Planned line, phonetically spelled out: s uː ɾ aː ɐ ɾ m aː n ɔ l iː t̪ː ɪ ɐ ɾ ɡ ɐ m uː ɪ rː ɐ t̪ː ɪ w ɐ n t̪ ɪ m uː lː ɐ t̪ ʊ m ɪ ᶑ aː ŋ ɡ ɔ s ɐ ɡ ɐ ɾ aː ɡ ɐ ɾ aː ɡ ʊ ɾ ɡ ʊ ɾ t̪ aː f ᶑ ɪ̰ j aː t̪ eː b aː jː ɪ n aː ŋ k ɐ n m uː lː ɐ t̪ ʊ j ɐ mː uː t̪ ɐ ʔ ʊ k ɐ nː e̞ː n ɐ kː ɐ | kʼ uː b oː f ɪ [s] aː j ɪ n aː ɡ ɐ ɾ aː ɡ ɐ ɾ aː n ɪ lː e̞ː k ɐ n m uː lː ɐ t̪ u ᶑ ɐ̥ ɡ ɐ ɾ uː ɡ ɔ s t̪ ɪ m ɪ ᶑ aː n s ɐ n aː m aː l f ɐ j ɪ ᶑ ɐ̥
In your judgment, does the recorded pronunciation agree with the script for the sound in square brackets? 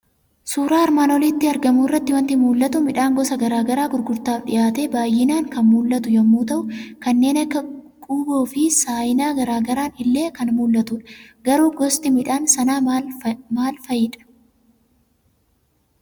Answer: yes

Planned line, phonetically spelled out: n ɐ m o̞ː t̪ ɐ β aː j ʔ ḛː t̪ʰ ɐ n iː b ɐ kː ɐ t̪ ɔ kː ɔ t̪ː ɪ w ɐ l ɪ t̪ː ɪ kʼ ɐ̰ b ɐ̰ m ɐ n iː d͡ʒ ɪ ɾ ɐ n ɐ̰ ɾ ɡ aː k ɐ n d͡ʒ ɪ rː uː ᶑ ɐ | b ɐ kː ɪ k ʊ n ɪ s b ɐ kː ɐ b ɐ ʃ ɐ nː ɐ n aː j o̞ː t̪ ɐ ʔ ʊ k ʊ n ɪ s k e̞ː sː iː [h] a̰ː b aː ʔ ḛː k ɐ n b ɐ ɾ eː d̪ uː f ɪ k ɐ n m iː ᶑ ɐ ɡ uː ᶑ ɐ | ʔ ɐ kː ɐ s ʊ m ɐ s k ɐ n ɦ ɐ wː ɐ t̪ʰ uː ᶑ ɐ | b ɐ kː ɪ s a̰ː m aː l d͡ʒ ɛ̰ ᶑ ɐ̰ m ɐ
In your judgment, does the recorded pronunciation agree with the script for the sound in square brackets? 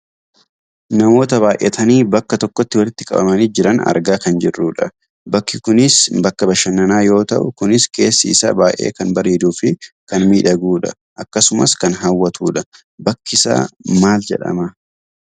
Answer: no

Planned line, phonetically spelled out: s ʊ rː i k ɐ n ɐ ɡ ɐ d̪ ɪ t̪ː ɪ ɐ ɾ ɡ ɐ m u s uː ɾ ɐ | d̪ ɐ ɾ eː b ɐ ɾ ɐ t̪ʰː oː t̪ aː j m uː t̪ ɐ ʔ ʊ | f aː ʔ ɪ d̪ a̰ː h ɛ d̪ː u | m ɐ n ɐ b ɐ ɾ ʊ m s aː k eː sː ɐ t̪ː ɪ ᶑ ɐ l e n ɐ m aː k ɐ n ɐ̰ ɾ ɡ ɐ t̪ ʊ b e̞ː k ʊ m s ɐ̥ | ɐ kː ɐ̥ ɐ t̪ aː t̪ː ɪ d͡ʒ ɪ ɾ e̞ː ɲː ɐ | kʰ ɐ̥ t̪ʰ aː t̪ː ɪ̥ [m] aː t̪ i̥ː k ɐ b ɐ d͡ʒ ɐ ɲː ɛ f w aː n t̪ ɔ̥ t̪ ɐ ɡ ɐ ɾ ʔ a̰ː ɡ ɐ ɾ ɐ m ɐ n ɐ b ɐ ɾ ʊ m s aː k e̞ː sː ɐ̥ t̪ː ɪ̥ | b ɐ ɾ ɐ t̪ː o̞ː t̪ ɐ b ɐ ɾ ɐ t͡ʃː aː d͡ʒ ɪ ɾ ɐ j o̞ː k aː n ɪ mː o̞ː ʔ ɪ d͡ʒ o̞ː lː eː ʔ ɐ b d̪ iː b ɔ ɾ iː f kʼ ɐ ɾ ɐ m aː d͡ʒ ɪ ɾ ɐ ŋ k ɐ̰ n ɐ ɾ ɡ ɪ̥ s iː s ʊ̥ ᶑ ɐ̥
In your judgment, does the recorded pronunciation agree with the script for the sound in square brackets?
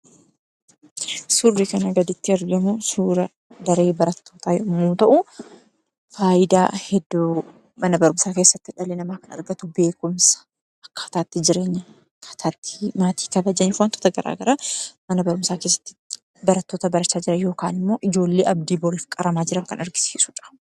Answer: yes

